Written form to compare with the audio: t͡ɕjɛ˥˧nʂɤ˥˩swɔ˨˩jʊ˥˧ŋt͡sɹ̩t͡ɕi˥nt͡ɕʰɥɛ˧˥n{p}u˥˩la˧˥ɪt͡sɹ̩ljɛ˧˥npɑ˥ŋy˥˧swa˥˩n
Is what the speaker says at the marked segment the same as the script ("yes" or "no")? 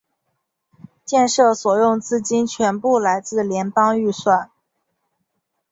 yes